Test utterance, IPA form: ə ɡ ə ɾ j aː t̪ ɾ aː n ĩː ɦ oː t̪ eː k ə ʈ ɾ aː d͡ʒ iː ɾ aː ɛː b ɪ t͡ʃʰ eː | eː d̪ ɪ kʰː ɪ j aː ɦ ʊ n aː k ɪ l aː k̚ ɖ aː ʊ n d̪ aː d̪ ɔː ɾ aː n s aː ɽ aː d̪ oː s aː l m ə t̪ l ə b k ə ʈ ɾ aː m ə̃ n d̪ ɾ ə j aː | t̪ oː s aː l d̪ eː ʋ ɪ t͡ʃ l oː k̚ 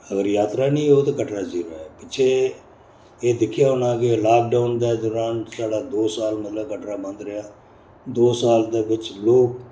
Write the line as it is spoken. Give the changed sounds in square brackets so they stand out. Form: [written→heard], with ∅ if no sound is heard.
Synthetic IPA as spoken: ə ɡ ə ɾ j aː t̪ ɾ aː n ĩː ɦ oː t̪ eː k ə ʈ ɾ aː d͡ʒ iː ɾ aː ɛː [b→p] ɪ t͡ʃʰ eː | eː d̪ ɪ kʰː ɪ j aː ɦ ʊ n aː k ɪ l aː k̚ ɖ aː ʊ n d̪ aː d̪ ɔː ɾ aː n s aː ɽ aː d̪ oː s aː l m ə t̪ l ə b k ə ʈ ɾ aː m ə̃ n d̪ ɾ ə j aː | [t̪→d̪] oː s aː l d̪ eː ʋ ɪ t͡ʃ l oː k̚